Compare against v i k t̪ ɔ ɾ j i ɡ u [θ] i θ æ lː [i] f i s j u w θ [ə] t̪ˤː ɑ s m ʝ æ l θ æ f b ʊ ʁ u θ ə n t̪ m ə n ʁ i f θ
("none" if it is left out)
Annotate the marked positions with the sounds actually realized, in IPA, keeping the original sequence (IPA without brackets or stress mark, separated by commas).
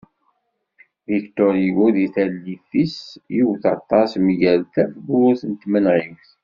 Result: ð, i, ɑ